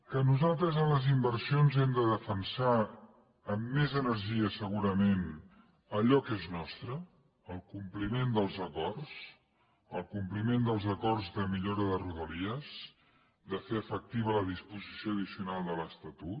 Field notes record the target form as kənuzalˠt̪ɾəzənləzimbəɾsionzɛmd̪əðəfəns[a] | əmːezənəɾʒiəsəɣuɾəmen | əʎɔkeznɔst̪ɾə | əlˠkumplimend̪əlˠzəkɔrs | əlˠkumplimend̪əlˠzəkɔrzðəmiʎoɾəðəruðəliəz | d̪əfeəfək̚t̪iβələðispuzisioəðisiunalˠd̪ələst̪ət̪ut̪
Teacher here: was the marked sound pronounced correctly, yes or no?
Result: yes